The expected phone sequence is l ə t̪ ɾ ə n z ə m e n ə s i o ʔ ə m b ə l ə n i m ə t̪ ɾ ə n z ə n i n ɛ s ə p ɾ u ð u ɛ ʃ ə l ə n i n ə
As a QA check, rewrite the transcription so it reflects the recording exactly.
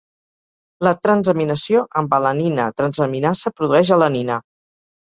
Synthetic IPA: l ə t̪ ɾ ə n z ə m i n ə s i o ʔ ə m b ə l ə n i n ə t̪ ɾ ə n z ə m i n a s ə p ɾ u ð u ɛ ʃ ə l ə n i n ə